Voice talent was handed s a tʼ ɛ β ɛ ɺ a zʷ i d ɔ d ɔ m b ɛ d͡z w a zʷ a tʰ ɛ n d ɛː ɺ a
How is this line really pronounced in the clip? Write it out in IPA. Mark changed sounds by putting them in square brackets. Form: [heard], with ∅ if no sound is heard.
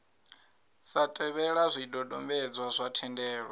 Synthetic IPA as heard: s a tʼ ɛ β ɛ ɺ a zʷ i d ɔ d ɔ m b ɛ d͡z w a zʷ a tʰ ɛ n d ɛː ɺ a